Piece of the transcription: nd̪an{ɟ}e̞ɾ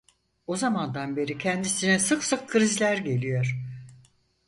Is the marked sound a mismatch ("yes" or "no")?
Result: yes